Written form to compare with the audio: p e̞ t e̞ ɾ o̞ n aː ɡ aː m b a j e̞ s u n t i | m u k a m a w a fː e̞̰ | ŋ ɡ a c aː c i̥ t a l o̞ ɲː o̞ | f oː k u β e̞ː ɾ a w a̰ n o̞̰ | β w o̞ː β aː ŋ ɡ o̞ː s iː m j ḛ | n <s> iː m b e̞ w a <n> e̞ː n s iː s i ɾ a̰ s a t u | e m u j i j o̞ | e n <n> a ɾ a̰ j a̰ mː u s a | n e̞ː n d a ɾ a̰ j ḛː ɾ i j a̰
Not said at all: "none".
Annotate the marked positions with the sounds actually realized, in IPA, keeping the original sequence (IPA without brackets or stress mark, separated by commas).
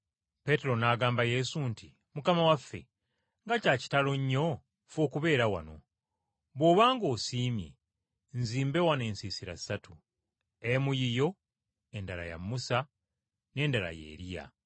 z, n, d